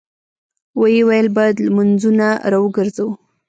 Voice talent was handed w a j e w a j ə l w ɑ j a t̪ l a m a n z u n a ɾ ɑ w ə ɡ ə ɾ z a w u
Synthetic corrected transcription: w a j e w a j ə l b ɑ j a d̪ l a m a n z u n a ɾ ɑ w ə ɡ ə ɾ z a w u